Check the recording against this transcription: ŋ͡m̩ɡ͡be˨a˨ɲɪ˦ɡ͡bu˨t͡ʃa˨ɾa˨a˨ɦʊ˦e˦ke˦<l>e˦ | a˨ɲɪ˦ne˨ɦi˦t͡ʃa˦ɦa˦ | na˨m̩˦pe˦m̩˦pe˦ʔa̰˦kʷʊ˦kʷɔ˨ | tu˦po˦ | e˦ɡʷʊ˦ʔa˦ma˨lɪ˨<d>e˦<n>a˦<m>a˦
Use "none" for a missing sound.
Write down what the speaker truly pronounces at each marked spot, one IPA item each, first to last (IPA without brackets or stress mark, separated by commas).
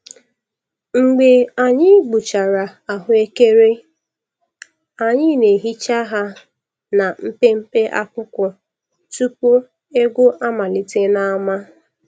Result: ɾ, t, n, m